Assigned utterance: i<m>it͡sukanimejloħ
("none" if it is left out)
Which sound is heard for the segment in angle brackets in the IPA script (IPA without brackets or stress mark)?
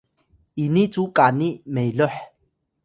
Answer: n